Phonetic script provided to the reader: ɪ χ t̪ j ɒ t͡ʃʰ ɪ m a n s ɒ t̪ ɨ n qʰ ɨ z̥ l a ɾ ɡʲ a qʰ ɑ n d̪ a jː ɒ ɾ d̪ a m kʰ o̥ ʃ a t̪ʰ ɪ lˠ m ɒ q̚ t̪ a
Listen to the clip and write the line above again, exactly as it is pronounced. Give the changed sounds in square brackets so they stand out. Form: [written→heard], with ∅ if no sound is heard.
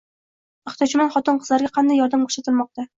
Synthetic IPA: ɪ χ t̪ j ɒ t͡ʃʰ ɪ m a n [s→χ] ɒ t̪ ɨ n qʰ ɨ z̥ l a ɾ ɡʲ a qʰ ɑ n d̪ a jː ɒ ɾ d̪ a m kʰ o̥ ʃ a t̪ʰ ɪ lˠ m ɒ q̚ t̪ a